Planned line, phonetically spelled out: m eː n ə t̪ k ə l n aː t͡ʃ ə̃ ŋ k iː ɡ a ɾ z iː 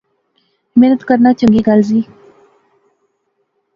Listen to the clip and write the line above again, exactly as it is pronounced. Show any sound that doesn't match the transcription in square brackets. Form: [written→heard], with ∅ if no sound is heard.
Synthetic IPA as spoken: m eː n ə t̪ k ə [l→ɾ] n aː t͡ʃ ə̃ ŋ [k→ɡ] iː ɡ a [ɾ→l] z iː